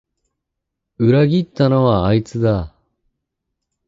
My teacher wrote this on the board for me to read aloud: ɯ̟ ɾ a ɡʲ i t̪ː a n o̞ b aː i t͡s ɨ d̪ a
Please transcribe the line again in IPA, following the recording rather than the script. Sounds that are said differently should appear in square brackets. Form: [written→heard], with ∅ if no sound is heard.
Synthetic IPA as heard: ɯ̟ ɾ a ɡʲ i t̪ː a n o̞ [b→β] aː i t͡s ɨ d̪ a